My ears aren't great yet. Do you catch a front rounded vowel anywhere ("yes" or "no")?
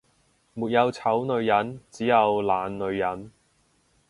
no